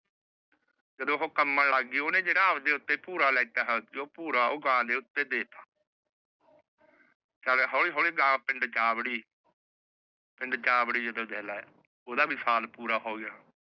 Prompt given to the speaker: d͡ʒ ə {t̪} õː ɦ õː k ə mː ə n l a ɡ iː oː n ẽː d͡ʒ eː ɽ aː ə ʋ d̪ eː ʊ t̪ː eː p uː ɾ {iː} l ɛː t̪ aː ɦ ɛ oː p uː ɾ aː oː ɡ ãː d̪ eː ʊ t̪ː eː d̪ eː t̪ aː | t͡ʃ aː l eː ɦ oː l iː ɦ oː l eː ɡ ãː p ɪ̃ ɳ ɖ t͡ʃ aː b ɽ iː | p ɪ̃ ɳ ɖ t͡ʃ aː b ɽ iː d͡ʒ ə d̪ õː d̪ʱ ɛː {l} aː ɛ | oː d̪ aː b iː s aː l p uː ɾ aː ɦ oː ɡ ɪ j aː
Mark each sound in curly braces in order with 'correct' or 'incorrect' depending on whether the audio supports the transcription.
incorrect, incorrect, correct

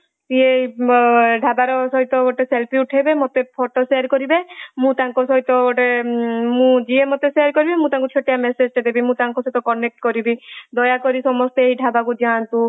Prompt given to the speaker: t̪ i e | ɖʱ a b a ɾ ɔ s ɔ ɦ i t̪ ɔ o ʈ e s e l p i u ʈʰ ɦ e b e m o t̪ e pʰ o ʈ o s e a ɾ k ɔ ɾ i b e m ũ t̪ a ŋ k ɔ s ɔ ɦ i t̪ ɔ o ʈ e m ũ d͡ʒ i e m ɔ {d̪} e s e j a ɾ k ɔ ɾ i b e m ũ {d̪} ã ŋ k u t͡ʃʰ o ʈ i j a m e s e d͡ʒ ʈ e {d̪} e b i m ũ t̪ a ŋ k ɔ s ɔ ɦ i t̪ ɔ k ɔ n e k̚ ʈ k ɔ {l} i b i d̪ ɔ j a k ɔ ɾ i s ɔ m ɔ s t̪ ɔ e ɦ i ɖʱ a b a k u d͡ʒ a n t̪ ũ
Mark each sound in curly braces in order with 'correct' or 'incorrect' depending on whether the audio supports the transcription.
incorrect, incorrect, correct, incorrect

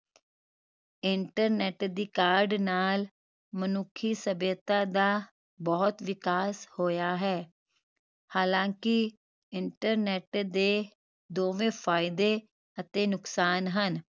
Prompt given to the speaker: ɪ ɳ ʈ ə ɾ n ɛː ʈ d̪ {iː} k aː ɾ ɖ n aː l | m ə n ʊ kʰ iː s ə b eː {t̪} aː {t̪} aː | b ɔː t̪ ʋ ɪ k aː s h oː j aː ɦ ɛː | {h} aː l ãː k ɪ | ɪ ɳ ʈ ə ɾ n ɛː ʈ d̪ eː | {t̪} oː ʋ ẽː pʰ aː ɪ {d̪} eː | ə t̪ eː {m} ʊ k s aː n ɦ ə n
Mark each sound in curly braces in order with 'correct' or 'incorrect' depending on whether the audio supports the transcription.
correct, correct, incorrect, correct, incorrect, correct, incorrect

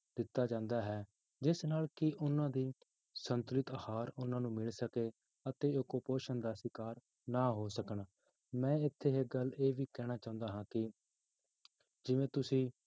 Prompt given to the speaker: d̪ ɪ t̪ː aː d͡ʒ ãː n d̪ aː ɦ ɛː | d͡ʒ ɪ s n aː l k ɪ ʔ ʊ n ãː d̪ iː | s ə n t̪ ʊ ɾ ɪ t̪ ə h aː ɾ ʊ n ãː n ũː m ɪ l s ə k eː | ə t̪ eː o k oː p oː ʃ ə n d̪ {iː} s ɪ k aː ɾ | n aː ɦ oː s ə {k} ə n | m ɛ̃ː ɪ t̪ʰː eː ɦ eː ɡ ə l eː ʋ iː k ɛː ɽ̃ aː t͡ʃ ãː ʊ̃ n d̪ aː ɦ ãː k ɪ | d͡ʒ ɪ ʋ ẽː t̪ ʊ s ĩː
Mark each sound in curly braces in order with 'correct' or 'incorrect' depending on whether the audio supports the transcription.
incorrect, correct

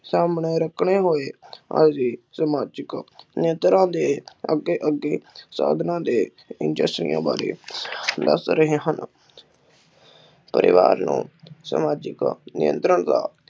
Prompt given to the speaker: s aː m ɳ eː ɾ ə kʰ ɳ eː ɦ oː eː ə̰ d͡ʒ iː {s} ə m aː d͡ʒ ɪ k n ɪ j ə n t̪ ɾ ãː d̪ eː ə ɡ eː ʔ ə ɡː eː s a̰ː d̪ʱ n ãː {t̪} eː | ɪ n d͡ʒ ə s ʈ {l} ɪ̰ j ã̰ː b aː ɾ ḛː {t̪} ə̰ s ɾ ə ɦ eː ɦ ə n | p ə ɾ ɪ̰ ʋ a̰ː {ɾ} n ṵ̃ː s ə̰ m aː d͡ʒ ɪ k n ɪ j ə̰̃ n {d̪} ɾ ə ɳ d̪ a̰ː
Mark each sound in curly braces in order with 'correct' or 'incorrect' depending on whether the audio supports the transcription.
correct, incorrect, incorrect, incorrect, correct, incorrect

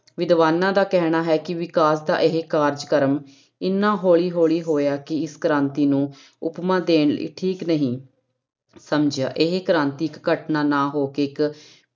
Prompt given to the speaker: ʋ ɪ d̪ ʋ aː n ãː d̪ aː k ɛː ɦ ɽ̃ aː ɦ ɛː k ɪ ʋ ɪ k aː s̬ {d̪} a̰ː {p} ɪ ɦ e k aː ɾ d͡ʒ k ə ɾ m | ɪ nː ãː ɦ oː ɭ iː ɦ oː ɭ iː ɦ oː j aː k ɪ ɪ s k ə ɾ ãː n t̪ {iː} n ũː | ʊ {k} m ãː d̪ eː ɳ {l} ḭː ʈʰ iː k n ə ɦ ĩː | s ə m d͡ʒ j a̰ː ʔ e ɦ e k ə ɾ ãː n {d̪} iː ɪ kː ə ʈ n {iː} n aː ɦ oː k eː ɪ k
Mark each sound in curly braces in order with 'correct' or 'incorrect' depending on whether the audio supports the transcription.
correct, incorrect, correct, incorrect, correct, incorrect, incorrect

